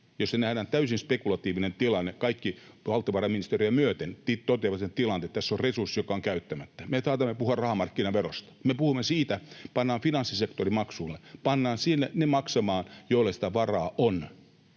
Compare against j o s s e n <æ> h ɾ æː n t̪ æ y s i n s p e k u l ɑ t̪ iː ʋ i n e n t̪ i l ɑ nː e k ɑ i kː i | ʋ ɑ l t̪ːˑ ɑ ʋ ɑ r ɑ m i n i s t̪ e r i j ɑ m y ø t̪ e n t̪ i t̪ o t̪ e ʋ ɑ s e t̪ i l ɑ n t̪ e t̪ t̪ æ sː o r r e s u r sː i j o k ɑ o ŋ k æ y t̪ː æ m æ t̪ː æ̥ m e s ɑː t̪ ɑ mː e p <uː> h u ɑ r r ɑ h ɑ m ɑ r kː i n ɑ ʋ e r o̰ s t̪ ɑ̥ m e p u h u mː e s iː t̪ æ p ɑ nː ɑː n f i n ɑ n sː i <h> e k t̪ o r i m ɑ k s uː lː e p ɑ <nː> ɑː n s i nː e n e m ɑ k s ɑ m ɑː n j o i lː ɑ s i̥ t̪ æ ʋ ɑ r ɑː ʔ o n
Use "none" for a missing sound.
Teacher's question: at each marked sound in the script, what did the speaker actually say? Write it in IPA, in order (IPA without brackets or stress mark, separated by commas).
æ, u, s, nː